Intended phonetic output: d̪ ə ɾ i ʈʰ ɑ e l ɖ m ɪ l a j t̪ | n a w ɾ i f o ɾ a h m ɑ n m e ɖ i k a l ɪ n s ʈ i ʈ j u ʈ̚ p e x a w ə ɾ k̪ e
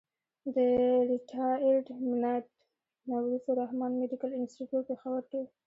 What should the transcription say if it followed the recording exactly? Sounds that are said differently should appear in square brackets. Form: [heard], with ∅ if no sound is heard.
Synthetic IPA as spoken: d̪ ə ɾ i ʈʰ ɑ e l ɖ m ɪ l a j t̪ | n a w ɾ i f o ɾ a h m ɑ n m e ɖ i k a l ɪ n s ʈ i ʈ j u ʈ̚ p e x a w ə ɾ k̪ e